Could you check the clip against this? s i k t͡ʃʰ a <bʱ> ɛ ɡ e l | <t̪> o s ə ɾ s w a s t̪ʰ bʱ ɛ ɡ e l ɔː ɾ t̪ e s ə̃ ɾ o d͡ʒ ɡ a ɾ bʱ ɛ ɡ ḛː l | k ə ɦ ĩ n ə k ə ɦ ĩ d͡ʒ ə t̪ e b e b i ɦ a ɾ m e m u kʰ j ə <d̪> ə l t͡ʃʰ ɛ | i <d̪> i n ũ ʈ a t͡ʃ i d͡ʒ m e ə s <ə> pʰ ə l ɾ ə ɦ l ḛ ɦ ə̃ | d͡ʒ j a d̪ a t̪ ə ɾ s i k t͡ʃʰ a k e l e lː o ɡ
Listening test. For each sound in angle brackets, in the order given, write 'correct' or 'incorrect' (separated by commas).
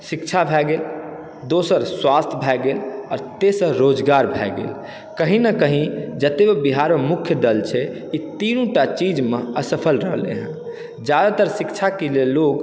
correct, incorrect, correct, incorrect, correct